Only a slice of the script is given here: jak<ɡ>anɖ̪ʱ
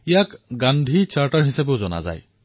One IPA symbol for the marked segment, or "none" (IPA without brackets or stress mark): ɡ